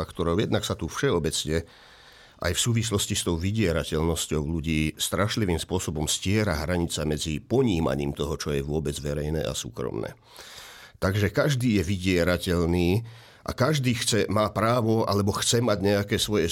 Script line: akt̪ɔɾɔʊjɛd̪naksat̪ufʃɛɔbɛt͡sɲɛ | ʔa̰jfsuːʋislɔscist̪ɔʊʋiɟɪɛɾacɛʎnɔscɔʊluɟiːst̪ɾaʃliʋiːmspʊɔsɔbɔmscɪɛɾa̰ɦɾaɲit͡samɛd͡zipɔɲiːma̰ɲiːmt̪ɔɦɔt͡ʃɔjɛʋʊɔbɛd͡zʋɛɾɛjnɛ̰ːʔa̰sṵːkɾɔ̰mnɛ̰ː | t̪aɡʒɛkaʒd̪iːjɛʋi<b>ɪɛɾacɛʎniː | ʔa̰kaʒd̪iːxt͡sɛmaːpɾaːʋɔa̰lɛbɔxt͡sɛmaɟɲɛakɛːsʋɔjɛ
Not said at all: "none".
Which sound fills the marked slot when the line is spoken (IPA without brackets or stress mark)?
ɟ